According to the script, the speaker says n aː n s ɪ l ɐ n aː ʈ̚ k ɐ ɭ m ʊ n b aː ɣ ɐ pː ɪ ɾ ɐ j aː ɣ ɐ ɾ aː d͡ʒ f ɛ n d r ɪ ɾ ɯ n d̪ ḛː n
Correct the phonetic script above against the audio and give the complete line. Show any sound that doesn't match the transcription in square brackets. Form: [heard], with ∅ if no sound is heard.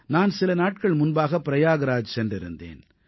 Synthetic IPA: n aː n s ɪ l ɐ n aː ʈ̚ k ɐ ɭ m ʊ n b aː ɣ ɐ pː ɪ ɾ ɐ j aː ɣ ɐ ɾ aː d͡ʒ [s] ɛ n d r ɪ ɾ ɯ n d̪ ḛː n